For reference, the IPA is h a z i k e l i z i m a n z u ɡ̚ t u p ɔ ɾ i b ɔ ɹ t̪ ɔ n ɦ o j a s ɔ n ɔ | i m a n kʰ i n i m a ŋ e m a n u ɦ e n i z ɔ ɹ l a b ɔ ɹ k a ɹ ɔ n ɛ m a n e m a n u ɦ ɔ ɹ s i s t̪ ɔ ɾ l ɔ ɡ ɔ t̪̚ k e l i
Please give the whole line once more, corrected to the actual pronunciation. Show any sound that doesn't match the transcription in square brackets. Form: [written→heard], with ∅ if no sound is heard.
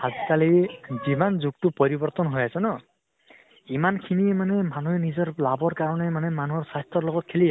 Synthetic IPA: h a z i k [e→a] l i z i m a n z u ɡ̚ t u p ɔ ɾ i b ɔ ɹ t̪ ɔ n ɦ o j a s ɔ n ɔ | i m a n kʰ i n i m a [ŋ→n] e m a n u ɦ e n i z ɔ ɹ l a b ɔ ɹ k a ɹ ɔ n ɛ m a n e m a n u ɦ ɔ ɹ s [i→a] s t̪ ɔ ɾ l ɔ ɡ ɔ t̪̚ [k→kʰ] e l i